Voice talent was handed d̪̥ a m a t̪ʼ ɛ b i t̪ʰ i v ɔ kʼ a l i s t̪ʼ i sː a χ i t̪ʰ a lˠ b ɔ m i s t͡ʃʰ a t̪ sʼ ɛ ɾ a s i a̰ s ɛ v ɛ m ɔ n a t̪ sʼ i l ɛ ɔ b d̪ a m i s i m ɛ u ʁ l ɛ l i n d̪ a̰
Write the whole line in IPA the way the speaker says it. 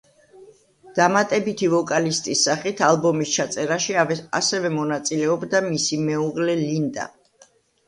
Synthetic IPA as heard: d̪̥ a m a t̪ʼ ɛ b i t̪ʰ i v ɔ kʼ a l i s t̪ʼ i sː a χ i t̪ʰ a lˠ b ɔ m i s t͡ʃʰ a t̪ sʼ ɛ ɾ a ʃ i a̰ s ɛ v ɛ m ɔ n a t̪ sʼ i l ɛ ɔ b d̪ a m i s i m ɛ u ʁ l ɛ l i n d̪ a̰